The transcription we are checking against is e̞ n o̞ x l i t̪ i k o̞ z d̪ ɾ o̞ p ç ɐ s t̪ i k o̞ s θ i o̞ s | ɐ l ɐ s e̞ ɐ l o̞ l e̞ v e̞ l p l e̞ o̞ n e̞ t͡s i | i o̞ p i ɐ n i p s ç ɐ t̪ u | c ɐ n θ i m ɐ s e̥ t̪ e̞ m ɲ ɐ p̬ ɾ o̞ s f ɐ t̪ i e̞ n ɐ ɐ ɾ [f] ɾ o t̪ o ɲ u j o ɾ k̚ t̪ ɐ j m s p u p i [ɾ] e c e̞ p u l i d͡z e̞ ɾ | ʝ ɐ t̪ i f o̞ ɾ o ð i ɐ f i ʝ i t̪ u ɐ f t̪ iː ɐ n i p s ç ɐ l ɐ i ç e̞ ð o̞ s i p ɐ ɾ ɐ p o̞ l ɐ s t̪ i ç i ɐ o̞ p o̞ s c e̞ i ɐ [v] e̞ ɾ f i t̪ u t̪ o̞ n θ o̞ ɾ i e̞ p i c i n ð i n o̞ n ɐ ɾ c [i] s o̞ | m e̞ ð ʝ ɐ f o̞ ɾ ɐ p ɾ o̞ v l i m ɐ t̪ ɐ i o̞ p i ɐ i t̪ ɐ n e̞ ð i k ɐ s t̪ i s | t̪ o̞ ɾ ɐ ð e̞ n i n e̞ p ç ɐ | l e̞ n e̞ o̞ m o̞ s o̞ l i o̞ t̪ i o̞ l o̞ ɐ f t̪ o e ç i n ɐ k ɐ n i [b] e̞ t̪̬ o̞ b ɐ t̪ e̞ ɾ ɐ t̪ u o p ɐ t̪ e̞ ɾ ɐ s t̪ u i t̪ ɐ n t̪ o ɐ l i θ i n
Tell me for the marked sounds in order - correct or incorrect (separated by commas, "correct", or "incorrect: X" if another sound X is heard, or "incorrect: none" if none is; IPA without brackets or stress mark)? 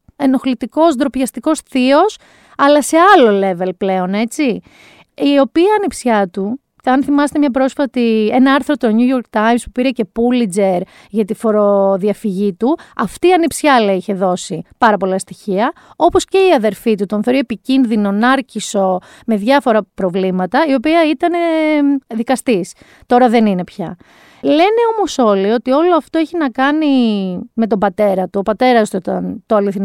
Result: incorrect: θ, correct, incorrect: ð, correct, incorrect: m